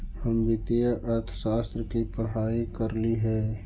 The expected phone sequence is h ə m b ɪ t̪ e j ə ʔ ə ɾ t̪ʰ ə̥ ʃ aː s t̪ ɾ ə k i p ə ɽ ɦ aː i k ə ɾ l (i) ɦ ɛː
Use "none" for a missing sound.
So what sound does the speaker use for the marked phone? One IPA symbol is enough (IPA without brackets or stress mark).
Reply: i